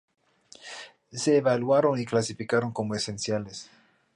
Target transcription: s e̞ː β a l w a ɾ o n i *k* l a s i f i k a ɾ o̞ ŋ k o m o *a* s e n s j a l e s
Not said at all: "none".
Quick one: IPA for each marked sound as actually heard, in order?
k, e

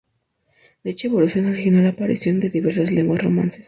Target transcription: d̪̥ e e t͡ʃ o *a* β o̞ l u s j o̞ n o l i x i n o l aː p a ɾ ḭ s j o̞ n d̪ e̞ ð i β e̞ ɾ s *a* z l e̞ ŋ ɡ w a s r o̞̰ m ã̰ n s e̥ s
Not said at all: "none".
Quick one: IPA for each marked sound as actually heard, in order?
e, a

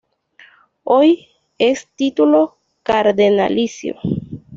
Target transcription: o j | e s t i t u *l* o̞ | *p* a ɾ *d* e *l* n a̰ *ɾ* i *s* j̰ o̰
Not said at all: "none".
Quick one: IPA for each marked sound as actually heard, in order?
l, k, d, none, l, s

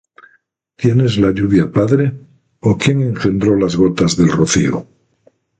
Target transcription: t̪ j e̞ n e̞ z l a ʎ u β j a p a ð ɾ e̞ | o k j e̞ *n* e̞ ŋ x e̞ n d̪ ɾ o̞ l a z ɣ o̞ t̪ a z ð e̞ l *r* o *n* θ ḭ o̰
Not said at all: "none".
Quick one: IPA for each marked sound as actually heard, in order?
ŋ, r, none

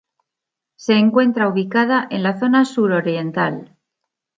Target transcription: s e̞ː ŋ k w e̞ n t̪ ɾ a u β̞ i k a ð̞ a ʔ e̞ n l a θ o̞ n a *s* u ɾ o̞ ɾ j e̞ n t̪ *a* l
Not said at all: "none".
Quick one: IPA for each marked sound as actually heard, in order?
s, a

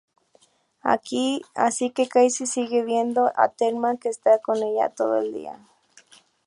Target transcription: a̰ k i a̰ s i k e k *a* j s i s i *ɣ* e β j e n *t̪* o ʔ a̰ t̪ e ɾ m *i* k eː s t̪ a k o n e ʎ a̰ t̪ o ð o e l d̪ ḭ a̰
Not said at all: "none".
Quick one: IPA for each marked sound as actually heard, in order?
a, ɣ, d̪, a

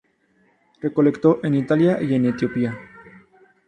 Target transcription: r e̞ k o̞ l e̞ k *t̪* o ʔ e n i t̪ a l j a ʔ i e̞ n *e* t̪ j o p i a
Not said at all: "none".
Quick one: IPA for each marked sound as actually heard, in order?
t̪, e

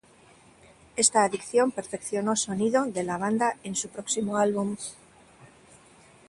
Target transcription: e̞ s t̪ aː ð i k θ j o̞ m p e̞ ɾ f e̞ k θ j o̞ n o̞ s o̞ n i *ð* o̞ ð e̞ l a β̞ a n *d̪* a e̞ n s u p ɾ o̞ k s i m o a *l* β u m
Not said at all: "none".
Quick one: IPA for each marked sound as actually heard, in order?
ð, d̪, l

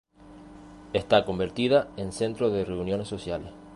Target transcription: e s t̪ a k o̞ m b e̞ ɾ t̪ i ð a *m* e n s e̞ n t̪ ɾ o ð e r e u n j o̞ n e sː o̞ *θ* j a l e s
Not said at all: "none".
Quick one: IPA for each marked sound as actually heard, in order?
none, s

